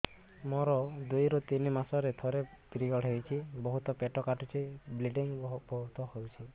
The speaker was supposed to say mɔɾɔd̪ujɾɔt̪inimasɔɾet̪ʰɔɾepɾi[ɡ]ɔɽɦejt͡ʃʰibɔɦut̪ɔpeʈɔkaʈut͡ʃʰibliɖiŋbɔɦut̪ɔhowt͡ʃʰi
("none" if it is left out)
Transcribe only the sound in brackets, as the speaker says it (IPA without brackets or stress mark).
ɡ